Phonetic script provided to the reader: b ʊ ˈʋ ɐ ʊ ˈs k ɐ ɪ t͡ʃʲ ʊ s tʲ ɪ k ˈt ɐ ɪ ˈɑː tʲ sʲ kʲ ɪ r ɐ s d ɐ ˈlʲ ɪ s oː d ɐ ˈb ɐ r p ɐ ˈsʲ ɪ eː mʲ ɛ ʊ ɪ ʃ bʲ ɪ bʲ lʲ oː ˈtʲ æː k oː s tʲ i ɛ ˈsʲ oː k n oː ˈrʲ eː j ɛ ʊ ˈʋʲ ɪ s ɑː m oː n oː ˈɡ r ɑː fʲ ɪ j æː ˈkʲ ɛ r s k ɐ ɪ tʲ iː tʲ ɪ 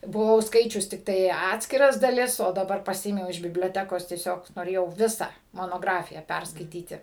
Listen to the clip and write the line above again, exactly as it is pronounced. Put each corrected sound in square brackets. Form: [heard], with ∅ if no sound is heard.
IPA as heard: b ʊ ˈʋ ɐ ʊ ˈs k ɐ ɪ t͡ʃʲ ʊ s tʲ ɪ k ˈt ɐ ɪ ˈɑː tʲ sʲ kʲ ɪ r ɐ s d ɐ ˈlʲ ɪ s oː d ɐ ˈb ɐ r p ɐ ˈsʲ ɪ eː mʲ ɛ ʊ ɪ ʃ bʲ ɪ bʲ lʲ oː ˈtʲ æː k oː s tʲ i ɛ ˈsʲ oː k n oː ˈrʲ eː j ɛ ʊ ˈʋʲ ɪ s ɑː m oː n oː ˈɡ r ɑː fʲ ɪ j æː [ˈpʲ] ɛ r s k ɐ ɪ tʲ iː tʲ ɪ